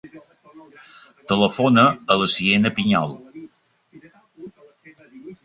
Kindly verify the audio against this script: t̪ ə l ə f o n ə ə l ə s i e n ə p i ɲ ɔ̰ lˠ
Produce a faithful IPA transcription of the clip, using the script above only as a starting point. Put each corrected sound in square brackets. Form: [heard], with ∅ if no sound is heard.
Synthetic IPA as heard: t̪ ə l ə f o n ə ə l ə s i e n ə p i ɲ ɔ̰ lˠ